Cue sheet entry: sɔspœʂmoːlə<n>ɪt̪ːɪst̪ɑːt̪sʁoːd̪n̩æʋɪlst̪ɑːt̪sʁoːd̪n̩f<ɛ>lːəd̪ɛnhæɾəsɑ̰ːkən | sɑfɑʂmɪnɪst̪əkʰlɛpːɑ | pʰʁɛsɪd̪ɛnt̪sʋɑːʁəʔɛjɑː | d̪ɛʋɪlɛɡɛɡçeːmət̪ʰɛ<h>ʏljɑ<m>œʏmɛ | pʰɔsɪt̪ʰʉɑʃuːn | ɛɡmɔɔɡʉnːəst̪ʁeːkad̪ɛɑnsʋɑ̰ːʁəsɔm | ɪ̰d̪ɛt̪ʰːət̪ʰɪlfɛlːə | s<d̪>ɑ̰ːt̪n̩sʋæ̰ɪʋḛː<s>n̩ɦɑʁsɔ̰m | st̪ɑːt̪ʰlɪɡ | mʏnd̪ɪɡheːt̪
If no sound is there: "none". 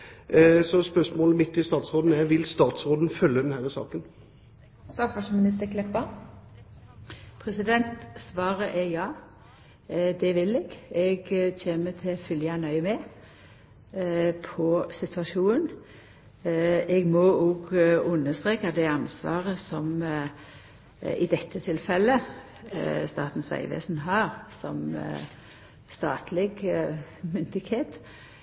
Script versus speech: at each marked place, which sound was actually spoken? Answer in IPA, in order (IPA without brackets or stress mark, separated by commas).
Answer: m, œ, f, n, t̪, s